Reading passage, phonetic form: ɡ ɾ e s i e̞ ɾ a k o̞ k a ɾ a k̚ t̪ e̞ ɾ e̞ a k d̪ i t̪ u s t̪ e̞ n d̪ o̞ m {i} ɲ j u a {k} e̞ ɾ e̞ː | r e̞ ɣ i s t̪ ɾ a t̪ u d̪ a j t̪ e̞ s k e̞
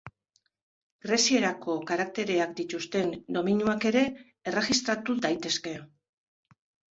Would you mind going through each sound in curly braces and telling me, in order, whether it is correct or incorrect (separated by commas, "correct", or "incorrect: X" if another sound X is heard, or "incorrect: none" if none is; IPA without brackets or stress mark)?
correct, correct